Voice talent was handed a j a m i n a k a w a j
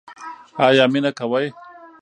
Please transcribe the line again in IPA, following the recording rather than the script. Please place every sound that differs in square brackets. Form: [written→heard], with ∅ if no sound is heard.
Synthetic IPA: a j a m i n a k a w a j